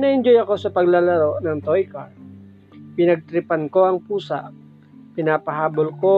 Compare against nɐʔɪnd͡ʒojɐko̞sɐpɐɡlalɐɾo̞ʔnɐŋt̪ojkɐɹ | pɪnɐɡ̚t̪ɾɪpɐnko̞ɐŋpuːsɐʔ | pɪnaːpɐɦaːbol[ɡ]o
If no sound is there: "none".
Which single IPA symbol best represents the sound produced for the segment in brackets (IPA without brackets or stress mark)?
k